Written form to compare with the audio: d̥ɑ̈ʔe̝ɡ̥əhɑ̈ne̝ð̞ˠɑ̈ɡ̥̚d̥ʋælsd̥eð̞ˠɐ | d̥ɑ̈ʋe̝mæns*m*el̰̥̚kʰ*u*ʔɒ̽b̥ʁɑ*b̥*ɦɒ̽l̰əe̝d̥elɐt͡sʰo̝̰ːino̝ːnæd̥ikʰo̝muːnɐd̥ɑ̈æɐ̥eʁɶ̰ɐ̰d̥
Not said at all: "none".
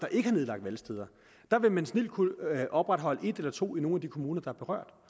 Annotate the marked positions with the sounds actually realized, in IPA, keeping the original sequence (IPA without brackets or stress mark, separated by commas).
n, u, d̥